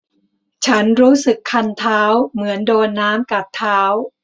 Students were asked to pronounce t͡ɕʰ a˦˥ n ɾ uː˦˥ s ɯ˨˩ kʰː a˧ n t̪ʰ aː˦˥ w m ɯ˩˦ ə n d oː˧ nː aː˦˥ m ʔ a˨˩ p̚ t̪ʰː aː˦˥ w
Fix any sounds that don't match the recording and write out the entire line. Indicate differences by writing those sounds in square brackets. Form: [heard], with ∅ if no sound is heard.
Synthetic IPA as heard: t͡ɕʰ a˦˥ n ɾ uː˦˥ s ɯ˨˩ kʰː a˧ n t̪ʰ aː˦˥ w m ɯ˩˦ ə n d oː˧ nː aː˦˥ m [k] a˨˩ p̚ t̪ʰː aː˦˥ w